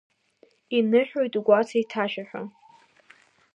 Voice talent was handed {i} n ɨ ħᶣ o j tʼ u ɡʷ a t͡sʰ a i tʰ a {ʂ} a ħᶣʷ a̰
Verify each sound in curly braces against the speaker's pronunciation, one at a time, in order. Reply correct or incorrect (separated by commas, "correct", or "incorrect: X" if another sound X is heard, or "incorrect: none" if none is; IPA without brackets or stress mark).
correct, incorrect: ʃ